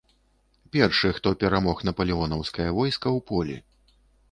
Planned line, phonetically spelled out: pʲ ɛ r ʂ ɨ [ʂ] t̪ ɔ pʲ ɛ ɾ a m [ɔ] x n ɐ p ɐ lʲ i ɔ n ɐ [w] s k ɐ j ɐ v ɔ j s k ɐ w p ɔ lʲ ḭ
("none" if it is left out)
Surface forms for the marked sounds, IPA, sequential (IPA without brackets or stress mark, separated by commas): x, ɔ, w